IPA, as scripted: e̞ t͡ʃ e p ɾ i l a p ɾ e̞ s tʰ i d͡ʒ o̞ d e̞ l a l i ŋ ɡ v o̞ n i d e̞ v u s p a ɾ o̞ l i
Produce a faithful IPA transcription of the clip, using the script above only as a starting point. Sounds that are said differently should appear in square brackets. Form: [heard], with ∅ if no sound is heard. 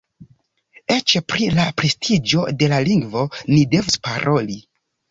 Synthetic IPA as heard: e̞ t͡ʃ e p ɾ i l a p ɾ e̞ s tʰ i d͡ʒ o̞ d e̞ l a l i ŋ ɡ v o̞ n i d e̞ v u s p a ɾ o̞ l i